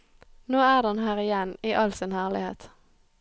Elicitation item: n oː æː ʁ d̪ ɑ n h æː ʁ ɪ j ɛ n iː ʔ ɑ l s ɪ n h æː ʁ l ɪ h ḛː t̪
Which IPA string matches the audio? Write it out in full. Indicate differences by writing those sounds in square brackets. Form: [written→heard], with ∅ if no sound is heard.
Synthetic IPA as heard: n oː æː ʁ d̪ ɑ n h æː ʁ ɪ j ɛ n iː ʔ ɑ l s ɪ n h æː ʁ l ɪ h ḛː t̪